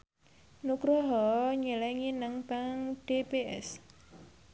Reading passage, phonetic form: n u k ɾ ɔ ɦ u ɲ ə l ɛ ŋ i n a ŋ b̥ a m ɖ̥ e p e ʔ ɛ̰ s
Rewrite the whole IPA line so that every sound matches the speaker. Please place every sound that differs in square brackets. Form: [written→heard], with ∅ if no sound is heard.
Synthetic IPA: n u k ɾ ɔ ɦ [u→ɔ] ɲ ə l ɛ ŋ i n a ŋ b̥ a [m→ŋ] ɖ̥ e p e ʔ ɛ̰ s